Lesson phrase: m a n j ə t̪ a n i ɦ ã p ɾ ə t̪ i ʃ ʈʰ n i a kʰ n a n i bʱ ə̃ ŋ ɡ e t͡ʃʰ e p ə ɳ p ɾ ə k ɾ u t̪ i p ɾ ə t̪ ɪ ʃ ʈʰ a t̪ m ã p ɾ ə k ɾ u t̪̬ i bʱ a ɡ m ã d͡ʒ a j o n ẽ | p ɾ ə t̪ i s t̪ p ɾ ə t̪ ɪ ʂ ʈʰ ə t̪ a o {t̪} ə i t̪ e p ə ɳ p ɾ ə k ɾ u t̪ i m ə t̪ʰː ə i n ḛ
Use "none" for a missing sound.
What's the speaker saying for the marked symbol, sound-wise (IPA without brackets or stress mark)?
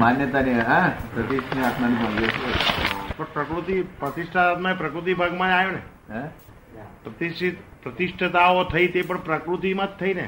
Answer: t̪ʰ